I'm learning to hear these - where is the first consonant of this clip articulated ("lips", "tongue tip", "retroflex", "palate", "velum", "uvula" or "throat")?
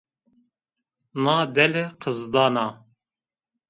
tongue tip